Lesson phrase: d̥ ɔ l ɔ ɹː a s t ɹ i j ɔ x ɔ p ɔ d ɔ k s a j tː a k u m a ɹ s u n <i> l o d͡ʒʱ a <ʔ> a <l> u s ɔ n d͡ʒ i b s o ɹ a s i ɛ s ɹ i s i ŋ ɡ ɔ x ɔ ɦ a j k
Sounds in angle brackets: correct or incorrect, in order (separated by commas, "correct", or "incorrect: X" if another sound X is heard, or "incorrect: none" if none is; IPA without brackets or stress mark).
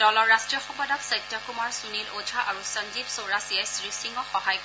correct, correct, incorrect: ɹ